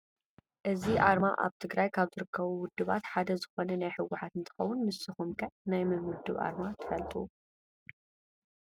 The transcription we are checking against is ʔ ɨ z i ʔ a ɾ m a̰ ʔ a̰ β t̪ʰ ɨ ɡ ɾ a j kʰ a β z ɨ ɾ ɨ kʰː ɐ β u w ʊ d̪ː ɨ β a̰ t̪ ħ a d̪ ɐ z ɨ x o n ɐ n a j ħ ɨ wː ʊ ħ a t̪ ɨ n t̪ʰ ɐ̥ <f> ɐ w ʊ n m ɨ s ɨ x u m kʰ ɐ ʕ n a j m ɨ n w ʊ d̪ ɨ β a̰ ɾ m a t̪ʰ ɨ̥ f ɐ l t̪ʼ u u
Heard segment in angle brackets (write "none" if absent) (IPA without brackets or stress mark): x